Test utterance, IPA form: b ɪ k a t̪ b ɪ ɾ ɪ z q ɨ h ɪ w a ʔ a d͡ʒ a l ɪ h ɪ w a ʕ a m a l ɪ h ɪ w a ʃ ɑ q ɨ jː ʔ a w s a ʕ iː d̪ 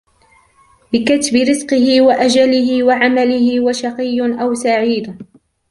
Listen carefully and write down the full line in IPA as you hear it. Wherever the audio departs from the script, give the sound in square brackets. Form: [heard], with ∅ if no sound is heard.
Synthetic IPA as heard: b ɪ k a t̪ b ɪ ɾ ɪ z q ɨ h ɪ w a ʔ a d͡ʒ a l ɪ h ɪ w a ʕ a m a l ɪ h ɪ w a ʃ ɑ q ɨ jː ʔ a w s a ʕ iː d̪

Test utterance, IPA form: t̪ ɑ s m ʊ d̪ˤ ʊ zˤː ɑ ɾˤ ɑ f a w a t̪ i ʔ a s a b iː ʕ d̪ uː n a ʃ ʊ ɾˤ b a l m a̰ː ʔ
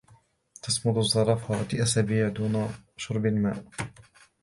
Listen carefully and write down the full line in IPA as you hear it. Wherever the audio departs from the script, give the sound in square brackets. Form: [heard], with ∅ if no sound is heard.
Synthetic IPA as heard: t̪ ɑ s m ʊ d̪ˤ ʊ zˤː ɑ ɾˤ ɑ f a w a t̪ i ʔ a s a b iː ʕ d̪ uː n a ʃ ʊ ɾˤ b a l m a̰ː ʔ

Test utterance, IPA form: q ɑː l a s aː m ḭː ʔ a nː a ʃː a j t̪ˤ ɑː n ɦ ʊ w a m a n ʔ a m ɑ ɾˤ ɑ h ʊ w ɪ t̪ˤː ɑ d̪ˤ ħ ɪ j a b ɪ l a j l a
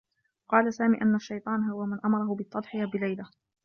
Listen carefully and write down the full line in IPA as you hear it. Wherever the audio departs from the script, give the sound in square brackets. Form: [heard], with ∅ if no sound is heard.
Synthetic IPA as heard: q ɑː l a s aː m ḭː ʔ a nː a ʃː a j t̪ˤ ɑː n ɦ ʊ w a m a n ʔ a m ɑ ɾˤ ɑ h ʊ [b] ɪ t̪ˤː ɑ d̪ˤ ħ ɪ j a b ɪ l a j l a

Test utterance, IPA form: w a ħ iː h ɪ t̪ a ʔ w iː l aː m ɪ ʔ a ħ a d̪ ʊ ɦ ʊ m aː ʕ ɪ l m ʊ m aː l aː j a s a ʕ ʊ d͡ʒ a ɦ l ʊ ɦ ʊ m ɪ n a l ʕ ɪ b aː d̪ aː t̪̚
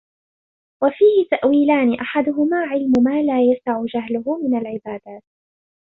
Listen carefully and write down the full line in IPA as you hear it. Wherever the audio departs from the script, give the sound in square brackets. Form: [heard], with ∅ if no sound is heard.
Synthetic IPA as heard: w a [f] iː h ɪ t̪ a ʔ w iː l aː [n] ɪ ʔ a ħ a d̪ ʊ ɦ ʊ m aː ʕ ɪ l m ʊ m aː l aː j a s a ʕ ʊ d͡ʒ a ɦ l ʊ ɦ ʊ m ɪ n a l ʕ ɪ b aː d̪ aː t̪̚

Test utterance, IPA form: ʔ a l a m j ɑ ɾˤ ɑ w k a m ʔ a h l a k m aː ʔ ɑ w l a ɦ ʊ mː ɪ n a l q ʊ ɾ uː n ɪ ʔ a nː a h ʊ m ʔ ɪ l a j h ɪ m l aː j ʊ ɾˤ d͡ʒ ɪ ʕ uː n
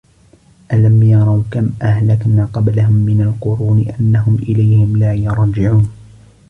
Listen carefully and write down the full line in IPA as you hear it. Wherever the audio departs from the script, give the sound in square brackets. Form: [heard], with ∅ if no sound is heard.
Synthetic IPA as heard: ʔ a l a m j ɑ ɾˤ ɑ w k a m ʔ a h l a k m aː [q] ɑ [b] l a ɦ ʊ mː ɪ n a l q ʊ ɾ uː n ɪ ʔ a nː a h ʊ m ʔ ɪ l a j h ɪ m l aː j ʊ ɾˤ d͡ʒ ɪ ʕ uː n

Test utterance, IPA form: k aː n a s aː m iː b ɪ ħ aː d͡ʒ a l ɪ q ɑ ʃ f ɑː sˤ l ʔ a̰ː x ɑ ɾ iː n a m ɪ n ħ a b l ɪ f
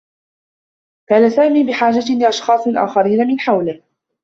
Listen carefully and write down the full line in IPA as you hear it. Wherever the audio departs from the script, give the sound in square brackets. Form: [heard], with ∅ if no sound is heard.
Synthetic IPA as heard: k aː n a s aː m iː b ɪ ħ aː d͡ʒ a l ɪ [ʔ] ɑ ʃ [x] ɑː sˤ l ʔ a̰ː x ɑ ɾ iː n a m ɪ n ħ a [w] l ɪ [h]

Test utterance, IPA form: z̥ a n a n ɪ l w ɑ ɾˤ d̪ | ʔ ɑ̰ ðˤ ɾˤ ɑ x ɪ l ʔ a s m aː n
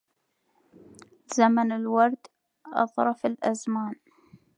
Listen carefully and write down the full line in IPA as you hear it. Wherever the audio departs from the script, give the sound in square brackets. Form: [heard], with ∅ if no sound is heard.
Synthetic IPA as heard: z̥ a [m] a n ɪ l w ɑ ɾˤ d̪ | ʔ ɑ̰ ðˤ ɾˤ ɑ [f] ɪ l ʔ a [z] m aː n

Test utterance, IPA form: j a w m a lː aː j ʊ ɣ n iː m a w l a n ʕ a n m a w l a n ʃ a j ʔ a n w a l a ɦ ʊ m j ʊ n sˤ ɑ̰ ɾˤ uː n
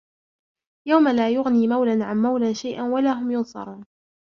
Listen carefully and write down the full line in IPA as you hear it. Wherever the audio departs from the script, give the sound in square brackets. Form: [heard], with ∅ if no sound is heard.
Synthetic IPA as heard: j a w m a [l] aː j ʊ ɣ n iː m a w l a n ʕ a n m a w l a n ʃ a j ʔ a n w a l a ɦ ʊ m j ʊ n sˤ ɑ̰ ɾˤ uː n

